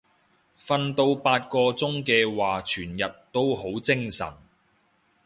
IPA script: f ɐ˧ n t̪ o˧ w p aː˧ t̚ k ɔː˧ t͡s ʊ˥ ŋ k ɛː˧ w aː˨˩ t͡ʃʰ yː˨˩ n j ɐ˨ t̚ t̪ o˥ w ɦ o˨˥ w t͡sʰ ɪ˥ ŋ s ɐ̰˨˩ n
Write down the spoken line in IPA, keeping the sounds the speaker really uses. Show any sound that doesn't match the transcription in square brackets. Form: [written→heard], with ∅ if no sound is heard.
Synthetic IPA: f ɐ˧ n t̪ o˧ w p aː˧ t̚ k ɔː˧ t͡s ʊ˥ ŋ k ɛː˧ w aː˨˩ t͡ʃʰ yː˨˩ n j ɐ˨ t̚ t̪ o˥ w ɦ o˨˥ w [t͡sʰ→t͡s] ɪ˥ ŋ s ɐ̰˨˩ n